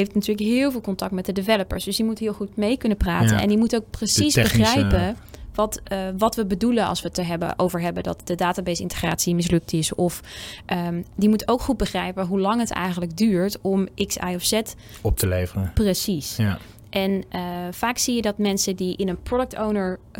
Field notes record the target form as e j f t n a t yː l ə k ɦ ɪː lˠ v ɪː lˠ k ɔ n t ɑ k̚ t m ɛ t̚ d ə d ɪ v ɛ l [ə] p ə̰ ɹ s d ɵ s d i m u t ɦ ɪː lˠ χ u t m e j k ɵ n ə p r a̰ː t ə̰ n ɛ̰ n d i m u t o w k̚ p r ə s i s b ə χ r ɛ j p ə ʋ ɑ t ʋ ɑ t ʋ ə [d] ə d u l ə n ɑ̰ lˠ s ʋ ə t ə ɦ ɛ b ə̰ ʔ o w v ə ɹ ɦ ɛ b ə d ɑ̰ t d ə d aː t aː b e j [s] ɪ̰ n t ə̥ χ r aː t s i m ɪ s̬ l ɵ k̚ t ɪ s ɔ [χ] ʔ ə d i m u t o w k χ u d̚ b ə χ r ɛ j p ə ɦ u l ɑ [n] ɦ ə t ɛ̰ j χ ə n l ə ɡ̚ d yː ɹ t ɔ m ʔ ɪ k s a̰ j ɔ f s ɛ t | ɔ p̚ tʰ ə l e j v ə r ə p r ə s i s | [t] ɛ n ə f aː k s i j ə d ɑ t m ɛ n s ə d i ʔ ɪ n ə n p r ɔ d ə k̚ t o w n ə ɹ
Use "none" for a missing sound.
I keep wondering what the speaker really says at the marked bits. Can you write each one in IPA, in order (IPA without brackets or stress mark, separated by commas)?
ə, b, s, f, ŋ, ʔ